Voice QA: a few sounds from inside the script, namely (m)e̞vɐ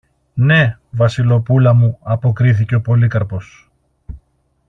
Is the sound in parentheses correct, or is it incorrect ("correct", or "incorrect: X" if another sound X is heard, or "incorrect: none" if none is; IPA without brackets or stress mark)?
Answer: incorrect: n